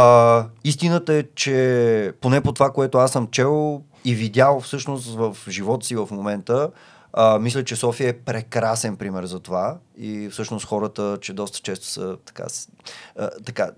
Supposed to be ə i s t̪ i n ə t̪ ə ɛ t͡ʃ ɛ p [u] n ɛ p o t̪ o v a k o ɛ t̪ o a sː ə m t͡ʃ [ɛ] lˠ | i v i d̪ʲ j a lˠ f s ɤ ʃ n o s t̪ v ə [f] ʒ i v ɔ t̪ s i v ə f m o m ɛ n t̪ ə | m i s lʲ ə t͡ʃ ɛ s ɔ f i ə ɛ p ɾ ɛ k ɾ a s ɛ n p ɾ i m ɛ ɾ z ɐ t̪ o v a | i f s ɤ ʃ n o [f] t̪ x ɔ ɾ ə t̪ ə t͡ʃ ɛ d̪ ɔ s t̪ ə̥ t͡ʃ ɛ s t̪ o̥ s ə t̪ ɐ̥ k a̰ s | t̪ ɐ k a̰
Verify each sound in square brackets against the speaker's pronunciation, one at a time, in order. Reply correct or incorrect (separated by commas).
incorrect, correct, correct, incorrect